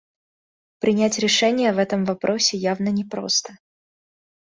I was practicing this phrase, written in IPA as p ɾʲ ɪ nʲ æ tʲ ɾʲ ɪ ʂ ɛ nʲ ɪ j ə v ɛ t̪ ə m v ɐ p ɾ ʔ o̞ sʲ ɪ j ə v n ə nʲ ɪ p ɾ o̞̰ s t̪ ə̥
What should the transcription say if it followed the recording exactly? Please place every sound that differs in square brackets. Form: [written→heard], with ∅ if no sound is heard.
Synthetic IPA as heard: p ɾʲ ɪ nʲ æ tʲ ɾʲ ɪ ʂ ɛ nʲ ɪ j ə v ɛ t̪ ə m v ɐ p ɾ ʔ o̞ sʲ ɪ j [ə→a] v n ə nʲ ɪ p ɾ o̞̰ s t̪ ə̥